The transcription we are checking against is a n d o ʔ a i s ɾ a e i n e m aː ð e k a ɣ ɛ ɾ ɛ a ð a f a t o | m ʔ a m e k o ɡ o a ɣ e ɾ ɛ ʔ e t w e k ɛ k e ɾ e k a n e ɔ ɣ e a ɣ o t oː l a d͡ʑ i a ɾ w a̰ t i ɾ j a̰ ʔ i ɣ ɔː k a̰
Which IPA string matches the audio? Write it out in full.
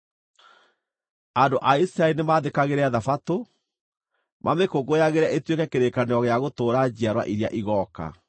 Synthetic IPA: a n d o ʔ a i s ɾ a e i n e m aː ð e k a ɣ e ɾ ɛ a ð a f a t o | m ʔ a m e k o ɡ o a ɣ e ɾ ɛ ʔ e t w e k ɛ k e ɾ e k a n e ɔ ɣ e a ɣ o t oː ɾ a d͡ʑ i a ɾ w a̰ ʔ i ɾ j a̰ ʔ i ɣ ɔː k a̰